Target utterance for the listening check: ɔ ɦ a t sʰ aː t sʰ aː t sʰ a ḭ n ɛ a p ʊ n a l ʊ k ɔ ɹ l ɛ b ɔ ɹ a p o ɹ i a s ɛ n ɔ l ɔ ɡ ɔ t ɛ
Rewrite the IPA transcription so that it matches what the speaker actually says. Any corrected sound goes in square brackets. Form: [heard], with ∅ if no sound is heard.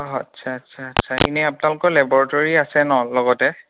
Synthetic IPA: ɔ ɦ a t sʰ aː t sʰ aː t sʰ a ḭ n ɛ a p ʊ n a l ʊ k ɔ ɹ l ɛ b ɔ ɹ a [t] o ɹ i a s ɛ n ɔ l ɔ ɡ ɔ t ɛ